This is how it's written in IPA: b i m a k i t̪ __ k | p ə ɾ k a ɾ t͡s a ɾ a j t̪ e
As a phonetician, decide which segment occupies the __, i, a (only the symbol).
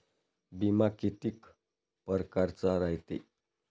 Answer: i